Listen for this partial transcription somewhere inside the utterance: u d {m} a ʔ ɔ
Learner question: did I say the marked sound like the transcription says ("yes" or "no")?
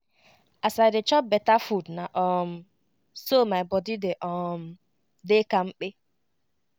no